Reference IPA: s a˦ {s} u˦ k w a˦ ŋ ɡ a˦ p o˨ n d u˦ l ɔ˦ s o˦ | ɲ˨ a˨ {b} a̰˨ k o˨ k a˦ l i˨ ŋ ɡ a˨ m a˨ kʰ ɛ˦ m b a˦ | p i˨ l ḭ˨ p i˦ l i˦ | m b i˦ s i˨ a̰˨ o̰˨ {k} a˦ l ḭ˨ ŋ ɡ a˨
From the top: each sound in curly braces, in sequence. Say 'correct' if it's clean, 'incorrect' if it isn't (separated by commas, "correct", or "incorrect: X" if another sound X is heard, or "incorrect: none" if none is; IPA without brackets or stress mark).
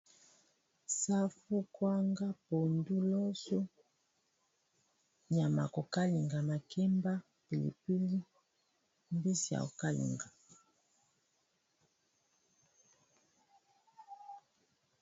incorrect: f, incorrect: m, correct